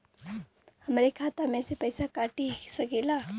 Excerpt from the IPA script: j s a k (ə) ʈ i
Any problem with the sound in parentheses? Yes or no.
yes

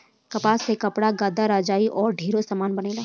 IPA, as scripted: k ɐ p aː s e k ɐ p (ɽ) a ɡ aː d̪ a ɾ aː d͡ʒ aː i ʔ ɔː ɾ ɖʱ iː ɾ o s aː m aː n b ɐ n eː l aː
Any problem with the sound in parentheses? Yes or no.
no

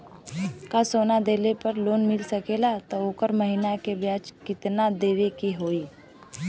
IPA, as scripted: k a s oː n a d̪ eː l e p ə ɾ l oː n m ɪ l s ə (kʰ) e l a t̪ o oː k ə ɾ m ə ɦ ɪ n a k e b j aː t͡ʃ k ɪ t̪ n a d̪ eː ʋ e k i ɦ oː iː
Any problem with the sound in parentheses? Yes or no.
yes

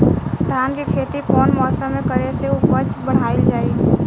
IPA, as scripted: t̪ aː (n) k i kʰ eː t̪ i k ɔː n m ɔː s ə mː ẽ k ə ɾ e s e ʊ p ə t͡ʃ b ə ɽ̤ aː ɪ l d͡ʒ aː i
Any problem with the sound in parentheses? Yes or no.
no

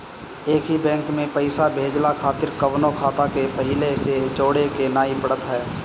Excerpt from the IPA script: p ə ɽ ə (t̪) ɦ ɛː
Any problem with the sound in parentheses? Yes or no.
no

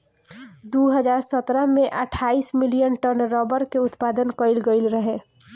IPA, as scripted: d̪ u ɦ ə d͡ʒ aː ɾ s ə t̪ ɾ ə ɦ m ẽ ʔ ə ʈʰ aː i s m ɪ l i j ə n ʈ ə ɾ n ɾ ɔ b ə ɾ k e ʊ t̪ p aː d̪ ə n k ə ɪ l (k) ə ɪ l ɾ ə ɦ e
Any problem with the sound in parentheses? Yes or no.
yes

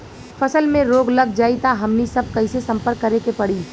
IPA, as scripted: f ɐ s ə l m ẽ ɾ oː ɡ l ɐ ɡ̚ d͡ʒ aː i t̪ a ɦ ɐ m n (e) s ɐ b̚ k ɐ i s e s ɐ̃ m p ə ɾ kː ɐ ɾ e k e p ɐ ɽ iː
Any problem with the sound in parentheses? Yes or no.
yes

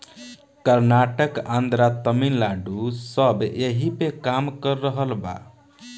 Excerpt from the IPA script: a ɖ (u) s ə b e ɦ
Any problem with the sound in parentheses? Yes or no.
no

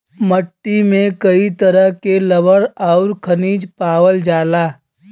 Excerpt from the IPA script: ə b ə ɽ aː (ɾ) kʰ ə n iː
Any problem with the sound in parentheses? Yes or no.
no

